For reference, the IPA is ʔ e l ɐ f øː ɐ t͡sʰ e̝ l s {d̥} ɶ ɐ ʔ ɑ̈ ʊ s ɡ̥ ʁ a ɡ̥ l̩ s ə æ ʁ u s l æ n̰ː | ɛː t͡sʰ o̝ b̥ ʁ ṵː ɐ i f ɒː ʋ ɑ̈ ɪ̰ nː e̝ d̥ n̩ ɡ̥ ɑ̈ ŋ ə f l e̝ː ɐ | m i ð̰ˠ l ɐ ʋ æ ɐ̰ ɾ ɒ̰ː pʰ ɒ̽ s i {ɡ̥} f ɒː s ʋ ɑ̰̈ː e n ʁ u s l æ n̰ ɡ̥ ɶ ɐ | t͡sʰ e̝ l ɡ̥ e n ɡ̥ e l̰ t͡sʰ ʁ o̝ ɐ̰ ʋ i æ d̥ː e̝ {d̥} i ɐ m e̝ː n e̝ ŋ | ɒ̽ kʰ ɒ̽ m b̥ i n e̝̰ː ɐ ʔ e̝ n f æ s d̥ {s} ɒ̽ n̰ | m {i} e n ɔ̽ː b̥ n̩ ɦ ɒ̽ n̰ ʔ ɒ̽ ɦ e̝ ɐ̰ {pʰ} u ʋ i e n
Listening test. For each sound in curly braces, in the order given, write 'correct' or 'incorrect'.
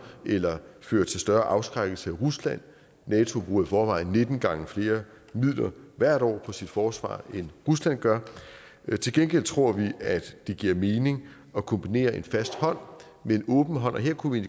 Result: correct, incorrect: d̥, incorrect: ɡ̥, incorrect: h, incorrect: e, incorrect: kʰ

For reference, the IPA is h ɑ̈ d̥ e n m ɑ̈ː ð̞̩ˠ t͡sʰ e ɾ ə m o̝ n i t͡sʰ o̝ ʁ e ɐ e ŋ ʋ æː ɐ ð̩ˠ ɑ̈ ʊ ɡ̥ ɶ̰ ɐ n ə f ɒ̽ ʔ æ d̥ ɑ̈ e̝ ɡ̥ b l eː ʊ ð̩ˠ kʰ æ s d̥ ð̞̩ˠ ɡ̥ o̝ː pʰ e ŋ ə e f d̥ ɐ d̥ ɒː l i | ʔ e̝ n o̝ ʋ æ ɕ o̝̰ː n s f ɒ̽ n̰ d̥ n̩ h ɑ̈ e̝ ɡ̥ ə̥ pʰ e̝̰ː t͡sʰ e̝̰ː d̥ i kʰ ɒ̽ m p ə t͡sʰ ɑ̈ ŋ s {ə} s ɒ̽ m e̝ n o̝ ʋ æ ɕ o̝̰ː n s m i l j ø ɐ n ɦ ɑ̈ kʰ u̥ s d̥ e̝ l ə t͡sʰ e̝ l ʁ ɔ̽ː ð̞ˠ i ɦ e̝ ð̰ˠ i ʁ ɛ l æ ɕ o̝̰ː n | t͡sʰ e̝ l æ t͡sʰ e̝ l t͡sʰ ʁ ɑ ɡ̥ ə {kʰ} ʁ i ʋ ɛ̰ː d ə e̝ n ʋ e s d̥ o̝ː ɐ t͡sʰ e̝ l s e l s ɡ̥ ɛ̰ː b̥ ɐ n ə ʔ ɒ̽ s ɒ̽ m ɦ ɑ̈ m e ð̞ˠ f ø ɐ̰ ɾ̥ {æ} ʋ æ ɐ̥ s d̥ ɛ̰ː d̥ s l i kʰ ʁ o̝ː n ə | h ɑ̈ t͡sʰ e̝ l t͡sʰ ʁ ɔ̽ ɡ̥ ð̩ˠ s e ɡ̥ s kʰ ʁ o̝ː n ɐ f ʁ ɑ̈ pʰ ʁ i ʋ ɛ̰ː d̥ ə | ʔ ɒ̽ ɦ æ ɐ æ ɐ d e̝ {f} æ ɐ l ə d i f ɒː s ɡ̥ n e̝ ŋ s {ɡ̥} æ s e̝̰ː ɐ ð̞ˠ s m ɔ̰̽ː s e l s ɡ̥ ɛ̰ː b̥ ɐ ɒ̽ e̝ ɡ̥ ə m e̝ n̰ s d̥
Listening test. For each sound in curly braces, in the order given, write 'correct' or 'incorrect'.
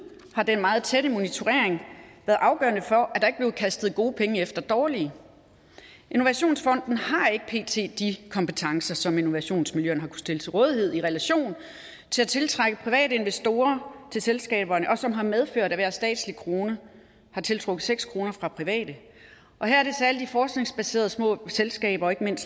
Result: incorrect: ɐ, incorrect: pʰ, correct, incorrect: s, incorrect: b̥

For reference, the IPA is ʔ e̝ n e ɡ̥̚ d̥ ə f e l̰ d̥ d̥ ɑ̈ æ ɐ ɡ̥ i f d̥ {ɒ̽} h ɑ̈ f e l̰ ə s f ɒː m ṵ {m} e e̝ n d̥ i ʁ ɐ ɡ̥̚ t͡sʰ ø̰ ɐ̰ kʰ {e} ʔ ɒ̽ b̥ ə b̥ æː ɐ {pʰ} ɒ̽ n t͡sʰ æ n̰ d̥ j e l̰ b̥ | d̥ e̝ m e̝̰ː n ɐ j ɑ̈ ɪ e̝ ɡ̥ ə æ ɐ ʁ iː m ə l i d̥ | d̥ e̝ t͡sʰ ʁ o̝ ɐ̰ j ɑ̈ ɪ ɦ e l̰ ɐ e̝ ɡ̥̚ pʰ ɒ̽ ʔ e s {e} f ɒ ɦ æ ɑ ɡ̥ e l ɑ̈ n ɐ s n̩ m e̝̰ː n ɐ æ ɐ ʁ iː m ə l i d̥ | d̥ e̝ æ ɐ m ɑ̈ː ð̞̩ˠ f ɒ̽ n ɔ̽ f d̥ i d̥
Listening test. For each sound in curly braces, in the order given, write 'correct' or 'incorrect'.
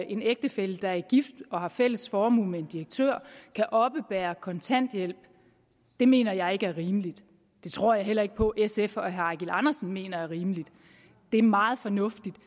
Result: correct, correct, incorrect: æ, incorrect: kʰ, correct

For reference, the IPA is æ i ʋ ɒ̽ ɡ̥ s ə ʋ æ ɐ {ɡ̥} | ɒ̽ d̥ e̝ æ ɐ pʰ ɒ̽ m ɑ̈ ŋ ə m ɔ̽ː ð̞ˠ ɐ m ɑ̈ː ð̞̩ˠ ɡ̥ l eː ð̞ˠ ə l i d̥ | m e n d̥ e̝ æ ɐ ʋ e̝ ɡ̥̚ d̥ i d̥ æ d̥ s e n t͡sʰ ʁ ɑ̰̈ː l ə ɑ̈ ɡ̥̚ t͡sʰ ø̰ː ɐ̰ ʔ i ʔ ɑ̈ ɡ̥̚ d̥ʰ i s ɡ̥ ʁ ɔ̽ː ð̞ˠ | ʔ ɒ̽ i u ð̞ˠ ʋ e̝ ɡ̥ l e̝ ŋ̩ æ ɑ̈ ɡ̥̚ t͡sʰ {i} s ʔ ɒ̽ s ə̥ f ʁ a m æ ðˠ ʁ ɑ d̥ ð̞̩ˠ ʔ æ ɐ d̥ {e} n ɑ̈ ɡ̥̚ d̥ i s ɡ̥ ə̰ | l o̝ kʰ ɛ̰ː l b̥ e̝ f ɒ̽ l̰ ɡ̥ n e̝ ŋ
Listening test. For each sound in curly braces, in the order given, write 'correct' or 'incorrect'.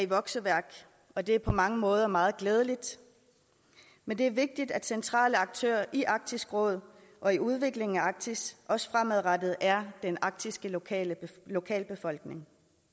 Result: correct, correct, correct

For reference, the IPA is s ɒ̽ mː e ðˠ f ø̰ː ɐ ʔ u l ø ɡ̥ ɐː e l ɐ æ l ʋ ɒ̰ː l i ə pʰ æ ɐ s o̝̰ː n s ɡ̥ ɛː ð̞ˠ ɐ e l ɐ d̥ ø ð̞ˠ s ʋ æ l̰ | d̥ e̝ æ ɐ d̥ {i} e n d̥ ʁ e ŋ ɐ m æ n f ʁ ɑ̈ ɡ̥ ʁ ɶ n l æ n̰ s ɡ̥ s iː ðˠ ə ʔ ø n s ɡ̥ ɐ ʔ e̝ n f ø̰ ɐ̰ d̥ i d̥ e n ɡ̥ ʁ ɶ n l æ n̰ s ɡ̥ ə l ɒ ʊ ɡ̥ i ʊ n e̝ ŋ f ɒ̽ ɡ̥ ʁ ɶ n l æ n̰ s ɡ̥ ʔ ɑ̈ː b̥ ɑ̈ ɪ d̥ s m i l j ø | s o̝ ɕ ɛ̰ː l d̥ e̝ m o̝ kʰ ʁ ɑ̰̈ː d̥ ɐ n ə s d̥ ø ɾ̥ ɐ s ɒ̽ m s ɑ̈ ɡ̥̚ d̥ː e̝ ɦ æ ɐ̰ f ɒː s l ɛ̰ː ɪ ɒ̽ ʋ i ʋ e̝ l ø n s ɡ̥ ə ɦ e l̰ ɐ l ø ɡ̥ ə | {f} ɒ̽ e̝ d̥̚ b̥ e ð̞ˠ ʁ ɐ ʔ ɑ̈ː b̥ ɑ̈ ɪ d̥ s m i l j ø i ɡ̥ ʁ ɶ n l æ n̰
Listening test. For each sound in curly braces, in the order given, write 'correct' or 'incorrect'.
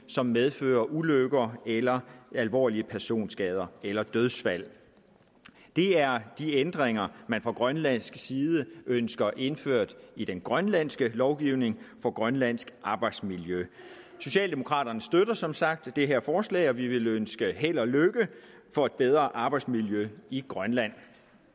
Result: correct, correct

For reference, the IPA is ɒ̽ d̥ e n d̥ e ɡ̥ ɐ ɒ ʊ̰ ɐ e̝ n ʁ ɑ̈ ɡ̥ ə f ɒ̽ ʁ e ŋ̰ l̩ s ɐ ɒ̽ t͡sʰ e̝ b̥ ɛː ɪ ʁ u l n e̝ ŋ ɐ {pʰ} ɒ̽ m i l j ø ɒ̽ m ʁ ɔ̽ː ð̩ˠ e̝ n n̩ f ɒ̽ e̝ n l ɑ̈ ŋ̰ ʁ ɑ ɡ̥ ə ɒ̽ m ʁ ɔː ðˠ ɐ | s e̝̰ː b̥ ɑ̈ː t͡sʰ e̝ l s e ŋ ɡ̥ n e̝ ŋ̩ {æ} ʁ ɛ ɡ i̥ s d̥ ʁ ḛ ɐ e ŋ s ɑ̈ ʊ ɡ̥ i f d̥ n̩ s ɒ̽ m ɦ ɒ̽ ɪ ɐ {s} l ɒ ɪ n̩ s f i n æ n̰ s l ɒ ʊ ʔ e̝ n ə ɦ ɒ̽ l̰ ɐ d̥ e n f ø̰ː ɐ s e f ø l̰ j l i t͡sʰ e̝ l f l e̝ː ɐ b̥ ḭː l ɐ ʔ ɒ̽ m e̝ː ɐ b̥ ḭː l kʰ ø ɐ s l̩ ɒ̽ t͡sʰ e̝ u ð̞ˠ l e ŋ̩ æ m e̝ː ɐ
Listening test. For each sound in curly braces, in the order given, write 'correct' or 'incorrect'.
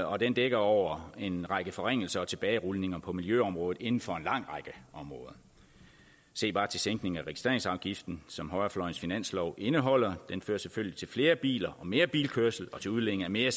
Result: correct, correct, incorrect: f

